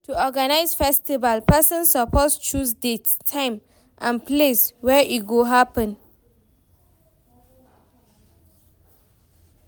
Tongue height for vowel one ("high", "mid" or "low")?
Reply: high